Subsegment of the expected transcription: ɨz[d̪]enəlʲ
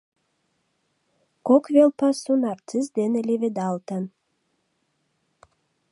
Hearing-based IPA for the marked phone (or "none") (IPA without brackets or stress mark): d̪